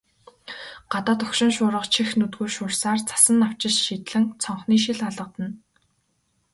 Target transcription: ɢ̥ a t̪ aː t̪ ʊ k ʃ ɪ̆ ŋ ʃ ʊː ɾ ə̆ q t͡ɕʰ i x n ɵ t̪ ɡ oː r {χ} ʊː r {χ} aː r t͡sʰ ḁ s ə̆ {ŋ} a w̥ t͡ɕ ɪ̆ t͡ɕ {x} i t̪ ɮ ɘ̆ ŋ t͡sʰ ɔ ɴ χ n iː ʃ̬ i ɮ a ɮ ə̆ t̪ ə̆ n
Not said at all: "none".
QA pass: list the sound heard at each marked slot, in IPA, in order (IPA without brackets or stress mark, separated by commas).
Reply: ʃ, s, n, ʃ